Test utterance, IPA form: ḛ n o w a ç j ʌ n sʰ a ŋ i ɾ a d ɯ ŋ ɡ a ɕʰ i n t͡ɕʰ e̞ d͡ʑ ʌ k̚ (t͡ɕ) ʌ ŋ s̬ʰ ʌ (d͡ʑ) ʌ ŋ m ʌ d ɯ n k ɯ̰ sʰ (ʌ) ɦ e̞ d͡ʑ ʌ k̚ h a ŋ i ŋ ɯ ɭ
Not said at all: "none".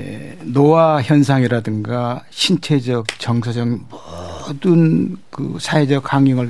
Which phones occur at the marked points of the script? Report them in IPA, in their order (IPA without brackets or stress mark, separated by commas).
t͡ɕ, d͡ʑ, a